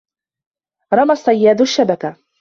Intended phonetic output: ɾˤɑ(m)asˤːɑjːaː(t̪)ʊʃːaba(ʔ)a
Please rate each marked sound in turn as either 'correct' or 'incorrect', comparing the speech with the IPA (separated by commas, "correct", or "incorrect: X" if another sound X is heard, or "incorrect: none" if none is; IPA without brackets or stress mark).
correct, incorrect: d̪, incorrect: k